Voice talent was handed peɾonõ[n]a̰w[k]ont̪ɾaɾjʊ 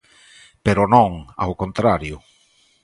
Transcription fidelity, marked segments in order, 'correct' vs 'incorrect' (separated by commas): incorrect, correct